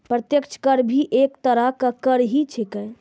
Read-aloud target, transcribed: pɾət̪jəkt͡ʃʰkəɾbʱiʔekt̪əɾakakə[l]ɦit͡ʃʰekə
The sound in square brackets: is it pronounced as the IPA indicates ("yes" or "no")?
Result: no